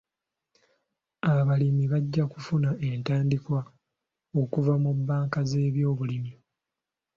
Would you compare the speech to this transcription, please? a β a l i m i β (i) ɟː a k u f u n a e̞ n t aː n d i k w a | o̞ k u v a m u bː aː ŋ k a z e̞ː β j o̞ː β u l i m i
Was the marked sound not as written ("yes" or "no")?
yes